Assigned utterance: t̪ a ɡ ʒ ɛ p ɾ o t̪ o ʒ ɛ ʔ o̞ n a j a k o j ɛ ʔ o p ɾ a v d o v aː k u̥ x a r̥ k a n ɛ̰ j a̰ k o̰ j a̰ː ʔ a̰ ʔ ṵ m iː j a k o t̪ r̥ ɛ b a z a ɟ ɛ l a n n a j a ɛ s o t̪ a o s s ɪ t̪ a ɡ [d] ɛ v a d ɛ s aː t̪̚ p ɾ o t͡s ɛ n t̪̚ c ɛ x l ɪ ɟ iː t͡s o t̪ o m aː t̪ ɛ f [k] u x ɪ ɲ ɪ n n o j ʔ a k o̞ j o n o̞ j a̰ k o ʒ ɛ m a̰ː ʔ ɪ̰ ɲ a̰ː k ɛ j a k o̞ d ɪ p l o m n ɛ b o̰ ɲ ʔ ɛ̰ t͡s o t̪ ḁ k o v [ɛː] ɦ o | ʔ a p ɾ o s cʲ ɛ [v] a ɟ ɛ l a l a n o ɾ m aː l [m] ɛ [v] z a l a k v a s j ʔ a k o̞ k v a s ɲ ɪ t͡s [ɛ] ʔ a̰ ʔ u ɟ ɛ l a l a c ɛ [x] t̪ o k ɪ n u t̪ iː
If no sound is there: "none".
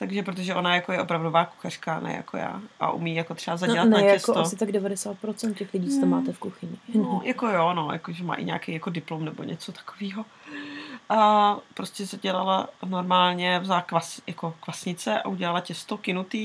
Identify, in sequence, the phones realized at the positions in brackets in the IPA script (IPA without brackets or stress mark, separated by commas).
d, k, iː, z, ɲ, v, ɛ, s